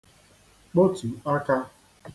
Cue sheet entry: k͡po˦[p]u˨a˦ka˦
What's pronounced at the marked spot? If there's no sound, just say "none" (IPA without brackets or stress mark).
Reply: t